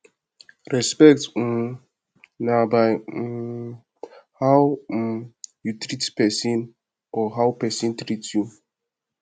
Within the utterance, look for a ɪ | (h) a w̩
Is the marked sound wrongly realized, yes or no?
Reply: no